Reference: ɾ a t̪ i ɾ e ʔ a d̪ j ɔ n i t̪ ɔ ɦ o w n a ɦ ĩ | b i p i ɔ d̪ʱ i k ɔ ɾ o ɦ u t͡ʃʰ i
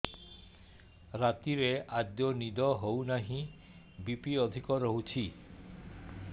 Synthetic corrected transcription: ɾ a t̪ i ɾ e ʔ a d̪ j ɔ n i d̪ ɔ ɦ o w n a ɦ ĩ | b i p i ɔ d̪ʱ i k ɔ ɾ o ɦ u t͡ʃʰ i